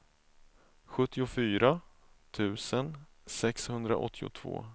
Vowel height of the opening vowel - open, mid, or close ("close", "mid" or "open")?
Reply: mid